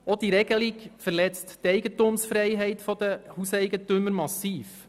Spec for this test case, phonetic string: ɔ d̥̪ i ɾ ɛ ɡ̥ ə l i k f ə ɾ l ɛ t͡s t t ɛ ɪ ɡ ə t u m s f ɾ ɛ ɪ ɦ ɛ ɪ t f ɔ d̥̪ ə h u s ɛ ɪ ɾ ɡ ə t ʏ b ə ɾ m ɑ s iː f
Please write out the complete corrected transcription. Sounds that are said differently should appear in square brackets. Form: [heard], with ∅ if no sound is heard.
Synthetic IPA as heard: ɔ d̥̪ i ɾ ɛ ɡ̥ ə l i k f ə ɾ l ɛ t͡s t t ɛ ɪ ɡ ə t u m s f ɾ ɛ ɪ ɦ ɛ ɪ t f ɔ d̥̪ ə h u s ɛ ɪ [∅] ɡ ə t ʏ [m] ə ɾ m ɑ s iː f